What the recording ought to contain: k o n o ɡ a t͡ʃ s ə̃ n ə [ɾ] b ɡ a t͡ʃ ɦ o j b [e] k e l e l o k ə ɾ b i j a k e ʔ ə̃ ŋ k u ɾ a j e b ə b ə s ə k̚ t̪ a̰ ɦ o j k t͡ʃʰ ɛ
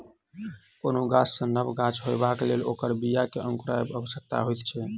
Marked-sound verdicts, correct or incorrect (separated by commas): incorrect, incorrect